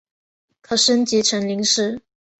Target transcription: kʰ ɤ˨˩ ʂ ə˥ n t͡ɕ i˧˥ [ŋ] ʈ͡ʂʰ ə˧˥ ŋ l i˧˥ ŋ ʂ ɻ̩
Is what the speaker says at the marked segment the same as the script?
no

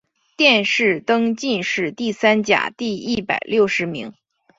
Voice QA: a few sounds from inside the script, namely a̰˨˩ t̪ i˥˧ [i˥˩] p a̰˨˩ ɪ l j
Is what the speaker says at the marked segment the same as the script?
yes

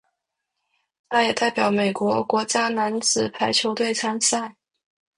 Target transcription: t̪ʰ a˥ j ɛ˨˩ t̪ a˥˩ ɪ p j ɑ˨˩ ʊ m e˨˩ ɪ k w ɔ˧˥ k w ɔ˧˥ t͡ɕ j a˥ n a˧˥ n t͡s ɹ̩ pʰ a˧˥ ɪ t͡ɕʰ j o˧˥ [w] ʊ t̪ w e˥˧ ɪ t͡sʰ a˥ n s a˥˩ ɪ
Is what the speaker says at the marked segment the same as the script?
no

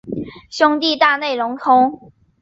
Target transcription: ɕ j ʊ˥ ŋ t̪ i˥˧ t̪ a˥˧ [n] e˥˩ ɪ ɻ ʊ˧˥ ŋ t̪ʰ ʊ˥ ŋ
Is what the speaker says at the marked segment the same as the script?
yes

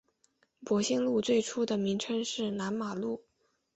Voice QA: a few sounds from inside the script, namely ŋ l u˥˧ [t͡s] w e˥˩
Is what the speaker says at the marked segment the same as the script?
yes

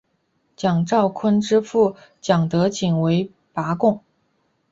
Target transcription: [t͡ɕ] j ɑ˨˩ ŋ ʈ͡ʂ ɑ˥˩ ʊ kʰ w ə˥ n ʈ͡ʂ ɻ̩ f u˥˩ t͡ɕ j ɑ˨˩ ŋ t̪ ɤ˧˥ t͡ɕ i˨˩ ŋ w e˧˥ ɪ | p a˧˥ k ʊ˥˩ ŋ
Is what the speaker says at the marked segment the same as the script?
yes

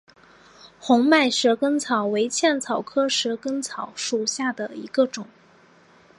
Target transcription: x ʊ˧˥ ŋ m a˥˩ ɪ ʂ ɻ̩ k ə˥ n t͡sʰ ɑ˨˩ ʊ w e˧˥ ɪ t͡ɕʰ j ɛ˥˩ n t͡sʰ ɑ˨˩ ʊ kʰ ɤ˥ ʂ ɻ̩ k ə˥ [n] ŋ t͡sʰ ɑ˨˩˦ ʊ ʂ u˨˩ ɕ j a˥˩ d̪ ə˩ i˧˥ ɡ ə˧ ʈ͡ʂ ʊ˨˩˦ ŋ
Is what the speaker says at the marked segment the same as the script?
no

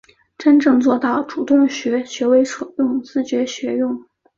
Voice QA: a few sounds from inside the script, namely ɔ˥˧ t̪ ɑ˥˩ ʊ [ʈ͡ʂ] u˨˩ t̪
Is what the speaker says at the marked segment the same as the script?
yes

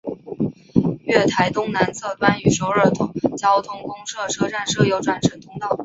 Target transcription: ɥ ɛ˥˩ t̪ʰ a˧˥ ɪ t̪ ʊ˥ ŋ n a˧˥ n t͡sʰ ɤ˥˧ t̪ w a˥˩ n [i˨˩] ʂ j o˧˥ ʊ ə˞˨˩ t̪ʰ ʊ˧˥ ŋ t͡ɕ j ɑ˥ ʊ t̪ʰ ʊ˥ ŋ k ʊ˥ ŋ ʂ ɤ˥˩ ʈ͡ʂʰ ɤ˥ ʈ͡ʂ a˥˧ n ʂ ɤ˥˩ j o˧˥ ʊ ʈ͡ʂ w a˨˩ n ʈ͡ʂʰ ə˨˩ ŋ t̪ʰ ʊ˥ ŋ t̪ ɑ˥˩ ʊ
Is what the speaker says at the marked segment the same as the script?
no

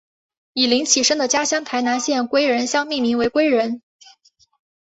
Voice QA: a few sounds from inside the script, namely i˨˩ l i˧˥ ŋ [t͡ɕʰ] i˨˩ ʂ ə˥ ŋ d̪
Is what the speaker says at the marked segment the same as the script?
yes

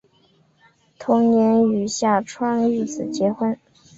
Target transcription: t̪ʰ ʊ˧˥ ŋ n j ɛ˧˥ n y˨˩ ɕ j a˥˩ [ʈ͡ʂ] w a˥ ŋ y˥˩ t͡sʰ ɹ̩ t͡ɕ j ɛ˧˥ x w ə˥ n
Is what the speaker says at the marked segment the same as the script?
no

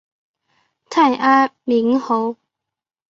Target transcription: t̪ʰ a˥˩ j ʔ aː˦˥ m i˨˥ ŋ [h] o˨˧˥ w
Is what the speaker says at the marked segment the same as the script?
yes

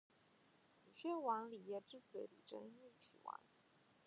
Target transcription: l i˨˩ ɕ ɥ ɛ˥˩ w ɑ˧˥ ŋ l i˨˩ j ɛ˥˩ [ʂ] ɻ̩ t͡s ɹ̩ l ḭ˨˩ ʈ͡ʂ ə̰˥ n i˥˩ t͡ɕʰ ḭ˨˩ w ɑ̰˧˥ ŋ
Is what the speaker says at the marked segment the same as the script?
no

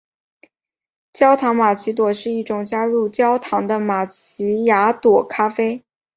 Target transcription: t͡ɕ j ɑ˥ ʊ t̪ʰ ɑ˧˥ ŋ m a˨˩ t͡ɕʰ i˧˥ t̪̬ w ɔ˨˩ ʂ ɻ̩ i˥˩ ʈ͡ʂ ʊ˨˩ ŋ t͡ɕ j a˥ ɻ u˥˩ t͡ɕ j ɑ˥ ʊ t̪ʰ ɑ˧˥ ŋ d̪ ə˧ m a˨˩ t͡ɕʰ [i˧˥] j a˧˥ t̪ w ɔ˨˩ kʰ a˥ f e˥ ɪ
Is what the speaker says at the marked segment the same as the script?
yes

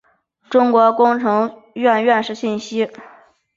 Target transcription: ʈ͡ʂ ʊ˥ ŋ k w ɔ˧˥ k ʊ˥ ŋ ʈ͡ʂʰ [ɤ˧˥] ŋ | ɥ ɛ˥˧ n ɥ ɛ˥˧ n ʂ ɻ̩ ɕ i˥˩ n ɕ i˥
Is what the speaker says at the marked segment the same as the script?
yes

